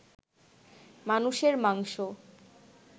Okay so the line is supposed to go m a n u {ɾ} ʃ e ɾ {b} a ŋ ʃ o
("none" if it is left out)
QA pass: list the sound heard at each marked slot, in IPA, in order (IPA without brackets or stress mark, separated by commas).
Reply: none, m